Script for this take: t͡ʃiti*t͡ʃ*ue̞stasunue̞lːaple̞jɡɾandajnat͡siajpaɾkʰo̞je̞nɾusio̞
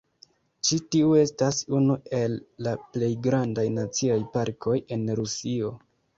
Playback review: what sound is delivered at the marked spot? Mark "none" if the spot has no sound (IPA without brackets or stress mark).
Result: none